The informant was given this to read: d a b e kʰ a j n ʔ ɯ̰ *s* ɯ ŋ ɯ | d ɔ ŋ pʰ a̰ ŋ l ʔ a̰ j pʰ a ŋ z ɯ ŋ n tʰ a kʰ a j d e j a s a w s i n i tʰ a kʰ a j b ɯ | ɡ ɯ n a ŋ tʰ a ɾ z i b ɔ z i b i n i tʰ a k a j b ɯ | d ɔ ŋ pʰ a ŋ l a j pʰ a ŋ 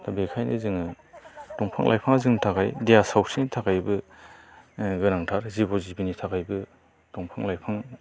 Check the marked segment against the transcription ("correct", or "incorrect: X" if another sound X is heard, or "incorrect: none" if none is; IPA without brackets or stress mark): incorrect: z